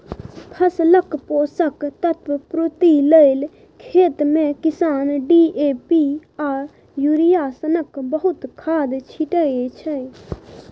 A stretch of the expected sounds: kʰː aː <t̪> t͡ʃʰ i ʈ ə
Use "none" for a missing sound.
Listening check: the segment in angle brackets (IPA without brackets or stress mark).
d̪